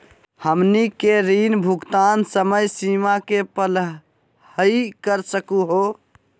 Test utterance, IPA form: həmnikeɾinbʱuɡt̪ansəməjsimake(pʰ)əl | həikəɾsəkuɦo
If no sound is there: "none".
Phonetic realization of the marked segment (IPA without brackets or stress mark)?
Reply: p